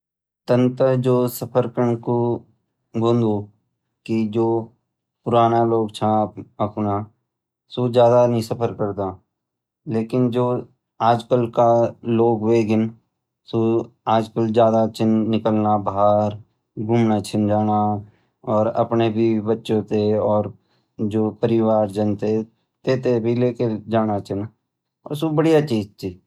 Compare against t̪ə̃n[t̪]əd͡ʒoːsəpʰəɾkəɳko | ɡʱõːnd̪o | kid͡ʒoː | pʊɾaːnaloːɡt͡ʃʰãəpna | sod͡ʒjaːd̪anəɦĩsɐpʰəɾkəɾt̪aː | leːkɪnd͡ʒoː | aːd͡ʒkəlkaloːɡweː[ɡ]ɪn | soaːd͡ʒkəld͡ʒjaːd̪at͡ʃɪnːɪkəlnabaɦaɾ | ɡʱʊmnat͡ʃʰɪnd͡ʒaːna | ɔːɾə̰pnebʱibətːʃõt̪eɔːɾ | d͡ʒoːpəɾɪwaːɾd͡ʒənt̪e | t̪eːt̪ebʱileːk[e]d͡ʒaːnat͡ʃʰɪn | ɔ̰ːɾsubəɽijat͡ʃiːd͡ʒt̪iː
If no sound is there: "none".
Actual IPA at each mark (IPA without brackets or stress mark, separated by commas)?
t̪, ɡ, e